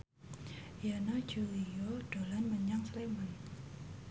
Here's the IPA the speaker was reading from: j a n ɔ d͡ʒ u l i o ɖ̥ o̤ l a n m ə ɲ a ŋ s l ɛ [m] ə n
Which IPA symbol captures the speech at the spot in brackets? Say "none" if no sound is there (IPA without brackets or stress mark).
m